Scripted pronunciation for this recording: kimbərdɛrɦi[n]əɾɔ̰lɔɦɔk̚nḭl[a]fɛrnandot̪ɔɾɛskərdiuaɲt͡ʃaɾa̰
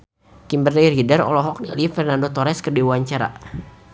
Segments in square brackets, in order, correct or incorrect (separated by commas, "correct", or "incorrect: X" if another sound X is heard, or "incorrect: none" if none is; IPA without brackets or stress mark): incorrect: d, incorrect: i